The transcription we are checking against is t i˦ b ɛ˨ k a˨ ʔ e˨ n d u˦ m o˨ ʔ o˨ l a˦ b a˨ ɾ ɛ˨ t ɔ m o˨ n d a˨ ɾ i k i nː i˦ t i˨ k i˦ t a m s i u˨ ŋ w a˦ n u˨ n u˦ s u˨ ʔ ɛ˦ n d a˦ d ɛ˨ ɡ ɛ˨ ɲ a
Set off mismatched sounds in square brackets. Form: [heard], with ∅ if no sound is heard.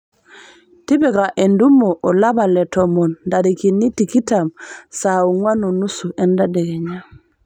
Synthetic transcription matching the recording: t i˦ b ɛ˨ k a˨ ʔ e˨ n d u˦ m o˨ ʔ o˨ l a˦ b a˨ [l] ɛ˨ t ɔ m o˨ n d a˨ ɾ i k i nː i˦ t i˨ k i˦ t a m s [a] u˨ ŋ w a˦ n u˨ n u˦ s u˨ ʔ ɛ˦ n d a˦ d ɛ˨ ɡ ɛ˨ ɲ a